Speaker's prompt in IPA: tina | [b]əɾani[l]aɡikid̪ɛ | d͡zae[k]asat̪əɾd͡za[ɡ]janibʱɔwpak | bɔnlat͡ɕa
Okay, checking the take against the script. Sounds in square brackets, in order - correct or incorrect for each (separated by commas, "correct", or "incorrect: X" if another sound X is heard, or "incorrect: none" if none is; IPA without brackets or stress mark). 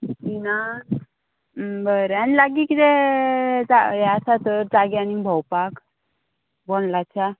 correct, correct, incorrect: none, correct